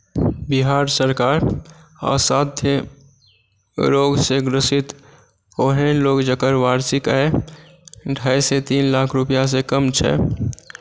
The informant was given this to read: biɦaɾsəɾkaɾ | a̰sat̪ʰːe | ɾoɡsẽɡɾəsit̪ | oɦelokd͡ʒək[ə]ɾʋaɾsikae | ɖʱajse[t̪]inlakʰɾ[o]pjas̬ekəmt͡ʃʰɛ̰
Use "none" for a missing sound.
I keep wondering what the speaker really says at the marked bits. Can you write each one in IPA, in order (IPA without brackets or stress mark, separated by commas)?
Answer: ə, t̪, u